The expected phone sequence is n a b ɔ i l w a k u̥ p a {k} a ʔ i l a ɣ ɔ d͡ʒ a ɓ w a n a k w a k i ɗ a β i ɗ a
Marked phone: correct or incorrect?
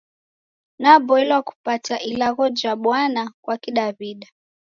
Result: incorrect